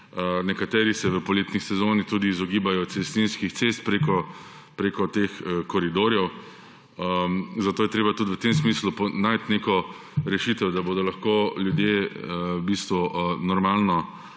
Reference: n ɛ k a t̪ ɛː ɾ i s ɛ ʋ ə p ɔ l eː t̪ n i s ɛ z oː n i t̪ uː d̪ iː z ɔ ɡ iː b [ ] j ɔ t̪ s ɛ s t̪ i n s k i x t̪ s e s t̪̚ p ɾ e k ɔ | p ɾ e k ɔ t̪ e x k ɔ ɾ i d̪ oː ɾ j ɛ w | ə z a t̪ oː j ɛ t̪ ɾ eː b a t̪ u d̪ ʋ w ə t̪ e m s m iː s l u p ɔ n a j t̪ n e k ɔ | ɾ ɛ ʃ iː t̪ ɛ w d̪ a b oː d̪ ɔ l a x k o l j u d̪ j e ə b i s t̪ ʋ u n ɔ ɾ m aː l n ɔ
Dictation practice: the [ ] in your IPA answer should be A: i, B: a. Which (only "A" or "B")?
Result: B